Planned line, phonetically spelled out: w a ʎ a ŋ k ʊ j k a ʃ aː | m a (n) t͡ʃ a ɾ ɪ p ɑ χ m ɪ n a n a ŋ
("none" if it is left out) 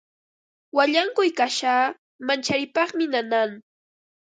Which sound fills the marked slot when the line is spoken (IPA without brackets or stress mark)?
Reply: n